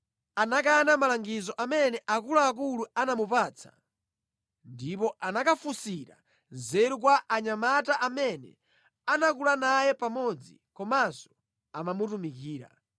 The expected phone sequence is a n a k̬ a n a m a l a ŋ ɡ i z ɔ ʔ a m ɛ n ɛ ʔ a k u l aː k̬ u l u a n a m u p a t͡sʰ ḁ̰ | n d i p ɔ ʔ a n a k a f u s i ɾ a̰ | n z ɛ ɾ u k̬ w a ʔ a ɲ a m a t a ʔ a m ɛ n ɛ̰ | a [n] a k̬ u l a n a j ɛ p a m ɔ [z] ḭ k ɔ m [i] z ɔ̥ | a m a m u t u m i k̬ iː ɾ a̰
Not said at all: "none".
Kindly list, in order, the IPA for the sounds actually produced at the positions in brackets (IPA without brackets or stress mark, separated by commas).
n, d͡z, a